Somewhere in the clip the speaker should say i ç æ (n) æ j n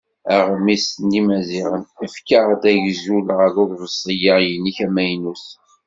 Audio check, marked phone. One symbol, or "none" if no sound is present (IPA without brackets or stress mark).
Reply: m